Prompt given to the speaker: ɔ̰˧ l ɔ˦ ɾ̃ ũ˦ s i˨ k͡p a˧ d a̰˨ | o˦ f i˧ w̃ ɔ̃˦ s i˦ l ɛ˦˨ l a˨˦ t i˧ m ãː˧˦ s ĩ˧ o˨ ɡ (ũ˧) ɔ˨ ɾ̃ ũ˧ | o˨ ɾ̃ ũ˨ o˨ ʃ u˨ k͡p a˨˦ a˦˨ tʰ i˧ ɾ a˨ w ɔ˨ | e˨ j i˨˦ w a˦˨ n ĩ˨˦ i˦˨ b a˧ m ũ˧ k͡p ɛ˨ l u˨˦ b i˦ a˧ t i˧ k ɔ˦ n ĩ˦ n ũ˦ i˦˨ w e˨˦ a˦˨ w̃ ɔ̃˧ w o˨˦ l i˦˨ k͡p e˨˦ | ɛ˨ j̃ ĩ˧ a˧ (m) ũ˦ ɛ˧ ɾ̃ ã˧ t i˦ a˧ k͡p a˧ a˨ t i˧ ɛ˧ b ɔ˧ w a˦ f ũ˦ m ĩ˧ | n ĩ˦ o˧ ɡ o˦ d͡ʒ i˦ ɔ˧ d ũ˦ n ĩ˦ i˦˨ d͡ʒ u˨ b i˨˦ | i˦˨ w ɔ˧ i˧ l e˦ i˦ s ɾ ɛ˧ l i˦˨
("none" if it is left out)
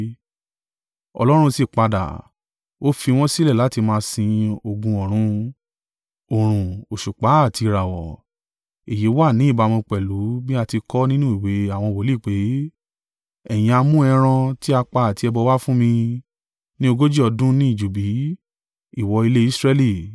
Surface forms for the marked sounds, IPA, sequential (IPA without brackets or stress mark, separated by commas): ũ˧, m